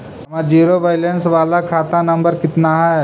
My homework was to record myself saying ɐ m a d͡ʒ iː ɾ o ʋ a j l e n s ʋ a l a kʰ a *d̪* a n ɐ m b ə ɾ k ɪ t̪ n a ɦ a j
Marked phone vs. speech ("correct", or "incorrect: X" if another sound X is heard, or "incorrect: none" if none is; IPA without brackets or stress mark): incorrect: t̪